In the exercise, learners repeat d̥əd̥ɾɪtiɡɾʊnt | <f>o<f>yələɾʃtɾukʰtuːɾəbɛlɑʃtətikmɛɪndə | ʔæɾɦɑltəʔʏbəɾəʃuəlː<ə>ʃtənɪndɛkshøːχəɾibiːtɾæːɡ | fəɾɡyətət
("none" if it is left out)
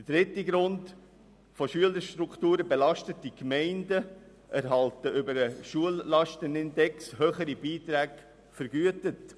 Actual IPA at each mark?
f, ʃ, ɑ

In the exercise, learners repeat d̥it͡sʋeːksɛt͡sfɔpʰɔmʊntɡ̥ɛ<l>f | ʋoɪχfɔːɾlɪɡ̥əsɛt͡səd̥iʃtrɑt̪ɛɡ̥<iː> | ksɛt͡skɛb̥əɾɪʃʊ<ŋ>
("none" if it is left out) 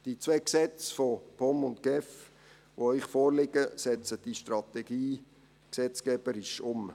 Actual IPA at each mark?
none, iː, m

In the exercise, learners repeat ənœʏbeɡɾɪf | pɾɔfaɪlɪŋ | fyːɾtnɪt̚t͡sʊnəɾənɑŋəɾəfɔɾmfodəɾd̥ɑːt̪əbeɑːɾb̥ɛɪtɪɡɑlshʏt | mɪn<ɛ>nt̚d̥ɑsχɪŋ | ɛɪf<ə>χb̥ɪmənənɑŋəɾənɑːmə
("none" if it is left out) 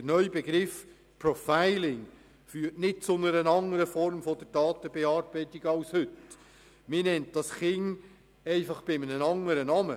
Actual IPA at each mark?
ɛ, ɑ

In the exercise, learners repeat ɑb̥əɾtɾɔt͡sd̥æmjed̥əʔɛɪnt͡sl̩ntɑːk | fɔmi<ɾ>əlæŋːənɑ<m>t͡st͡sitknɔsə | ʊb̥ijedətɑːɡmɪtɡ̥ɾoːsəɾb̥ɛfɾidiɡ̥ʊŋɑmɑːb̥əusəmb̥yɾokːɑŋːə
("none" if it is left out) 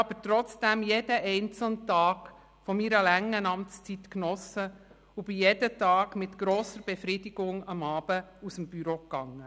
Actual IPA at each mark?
ɾ, m

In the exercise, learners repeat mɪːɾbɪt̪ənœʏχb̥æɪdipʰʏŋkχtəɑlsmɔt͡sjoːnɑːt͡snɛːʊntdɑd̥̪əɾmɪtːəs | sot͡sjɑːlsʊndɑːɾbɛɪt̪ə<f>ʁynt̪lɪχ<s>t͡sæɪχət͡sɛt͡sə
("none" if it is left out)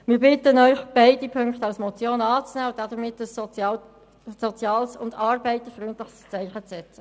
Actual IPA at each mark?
f, s

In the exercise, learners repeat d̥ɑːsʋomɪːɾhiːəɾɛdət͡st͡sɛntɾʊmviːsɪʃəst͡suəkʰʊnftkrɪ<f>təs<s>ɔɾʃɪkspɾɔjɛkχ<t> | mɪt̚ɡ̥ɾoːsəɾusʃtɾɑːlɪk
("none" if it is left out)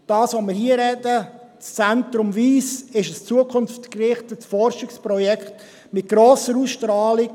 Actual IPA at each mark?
χ, f, t

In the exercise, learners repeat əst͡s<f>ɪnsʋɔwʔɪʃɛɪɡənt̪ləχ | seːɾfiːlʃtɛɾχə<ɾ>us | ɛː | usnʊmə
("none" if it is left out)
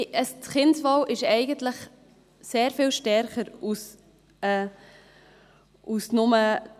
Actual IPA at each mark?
χ, ɾ

